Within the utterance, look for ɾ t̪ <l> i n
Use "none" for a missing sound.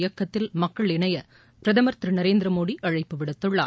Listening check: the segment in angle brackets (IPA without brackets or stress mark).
ɾ